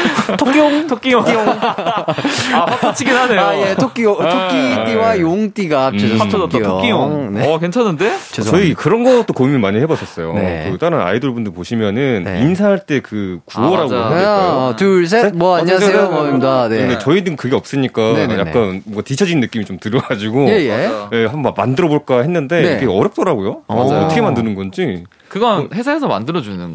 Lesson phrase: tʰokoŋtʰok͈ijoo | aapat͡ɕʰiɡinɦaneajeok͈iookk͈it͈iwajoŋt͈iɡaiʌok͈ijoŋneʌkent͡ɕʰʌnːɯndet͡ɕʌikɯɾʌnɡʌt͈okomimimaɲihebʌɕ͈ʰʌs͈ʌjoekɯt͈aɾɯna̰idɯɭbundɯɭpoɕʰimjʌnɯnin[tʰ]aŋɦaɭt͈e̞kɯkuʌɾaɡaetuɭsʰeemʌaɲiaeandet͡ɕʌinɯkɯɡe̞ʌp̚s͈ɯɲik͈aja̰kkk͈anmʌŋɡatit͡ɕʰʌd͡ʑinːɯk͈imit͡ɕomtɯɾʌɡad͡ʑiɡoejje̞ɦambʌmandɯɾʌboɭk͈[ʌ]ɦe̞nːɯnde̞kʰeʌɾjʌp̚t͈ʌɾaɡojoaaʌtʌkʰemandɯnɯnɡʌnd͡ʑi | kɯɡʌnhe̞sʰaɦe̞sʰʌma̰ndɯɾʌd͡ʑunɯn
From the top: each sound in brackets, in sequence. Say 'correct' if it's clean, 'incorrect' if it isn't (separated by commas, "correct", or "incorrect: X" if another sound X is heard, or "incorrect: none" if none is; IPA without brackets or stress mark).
incorrect: sʰ, incorrect: a